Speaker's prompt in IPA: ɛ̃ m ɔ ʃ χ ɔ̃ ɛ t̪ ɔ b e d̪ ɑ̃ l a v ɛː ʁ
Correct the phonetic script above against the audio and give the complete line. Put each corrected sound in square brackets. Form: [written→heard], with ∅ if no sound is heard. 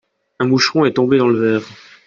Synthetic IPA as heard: ɛ̃ m [ɔ→u] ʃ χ ɔ̃ ɛ t̪ [ɔ→ɔ̃] b e d̪ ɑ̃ l [a→ə] v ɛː ʁ